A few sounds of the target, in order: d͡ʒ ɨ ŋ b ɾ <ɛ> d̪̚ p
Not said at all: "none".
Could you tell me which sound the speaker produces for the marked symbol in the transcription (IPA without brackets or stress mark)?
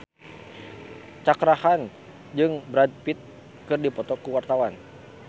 a